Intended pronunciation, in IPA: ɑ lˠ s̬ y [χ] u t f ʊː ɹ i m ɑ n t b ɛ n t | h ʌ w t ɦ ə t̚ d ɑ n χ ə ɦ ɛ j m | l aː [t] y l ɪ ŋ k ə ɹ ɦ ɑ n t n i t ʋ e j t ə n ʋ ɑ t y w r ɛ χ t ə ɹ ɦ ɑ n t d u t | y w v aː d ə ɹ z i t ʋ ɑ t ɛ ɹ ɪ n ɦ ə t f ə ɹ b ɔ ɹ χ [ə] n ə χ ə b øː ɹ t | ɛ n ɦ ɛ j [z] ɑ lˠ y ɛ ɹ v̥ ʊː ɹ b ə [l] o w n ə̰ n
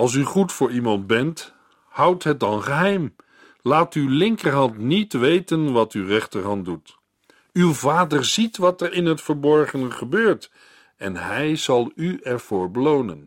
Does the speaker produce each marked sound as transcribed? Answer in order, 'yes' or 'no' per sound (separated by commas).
yes, yes, yes, yes, yes